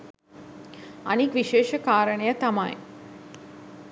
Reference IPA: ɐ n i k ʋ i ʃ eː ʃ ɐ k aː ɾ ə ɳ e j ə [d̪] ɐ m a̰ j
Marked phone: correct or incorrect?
incorrect